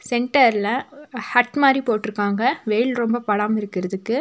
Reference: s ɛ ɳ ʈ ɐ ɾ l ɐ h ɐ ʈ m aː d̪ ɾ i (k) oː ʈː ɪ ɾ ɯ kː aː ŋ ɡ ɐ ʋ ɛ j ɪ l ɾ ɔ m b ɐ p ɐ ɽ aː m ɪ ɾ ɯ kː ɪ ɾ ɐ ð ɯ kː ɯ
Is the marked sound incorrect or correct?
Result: incorrect: p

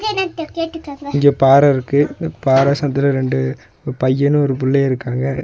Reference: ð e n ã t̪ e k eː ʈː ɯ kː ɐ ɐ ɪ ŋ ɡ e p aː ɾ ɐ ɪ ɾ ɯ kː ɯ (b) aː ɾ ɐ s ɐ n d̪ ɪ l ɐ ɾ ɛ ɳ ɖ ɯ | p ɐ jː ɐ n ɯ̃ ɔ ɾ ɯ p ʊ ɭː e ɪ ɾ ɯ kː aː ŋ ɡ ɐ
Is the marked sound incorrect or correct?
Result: incorrect: p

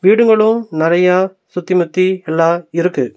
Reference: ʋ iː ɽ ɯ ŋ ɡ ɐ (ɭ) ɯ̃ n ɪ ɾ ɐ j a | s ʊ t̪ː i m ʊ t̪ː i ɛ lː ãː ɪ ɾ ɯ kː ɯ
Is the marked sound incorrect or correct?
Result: correct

